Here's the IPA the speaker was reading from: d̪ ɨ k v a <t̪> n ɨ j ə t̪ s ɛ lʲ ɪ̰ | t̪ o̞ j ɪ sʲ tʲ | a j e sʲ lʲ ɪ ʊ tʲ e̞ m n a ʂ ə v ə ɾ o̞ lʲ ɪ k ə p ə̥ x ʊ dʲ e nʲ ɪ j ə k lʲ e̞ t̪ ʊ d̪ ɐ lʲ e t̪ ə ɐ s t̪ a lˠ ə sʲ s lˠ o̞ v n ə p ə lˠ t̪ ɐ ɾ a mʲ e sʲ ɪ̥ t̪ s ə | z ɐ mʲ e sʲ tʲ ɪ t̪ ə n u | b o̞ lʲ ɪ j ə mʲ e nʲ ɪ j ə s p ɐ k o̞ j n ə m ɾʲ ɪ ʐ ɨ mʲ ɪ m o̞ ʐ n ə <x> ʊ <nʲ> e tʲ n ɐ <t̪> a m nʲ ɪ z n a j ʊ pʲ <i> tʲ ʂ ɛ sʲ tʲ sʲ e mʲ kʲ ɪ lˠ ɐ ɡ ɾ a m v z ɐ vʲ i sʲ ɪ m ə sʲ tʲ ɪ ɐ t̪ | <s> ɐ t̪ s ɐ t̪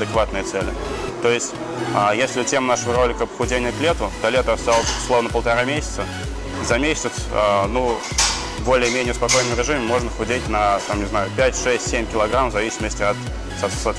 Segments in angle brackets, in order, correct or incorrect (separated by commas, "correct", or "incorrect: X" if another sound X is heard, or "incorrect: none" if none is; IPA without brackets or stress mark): correct, correct, incorrect: dʲ, correct, incorrect: æ, correct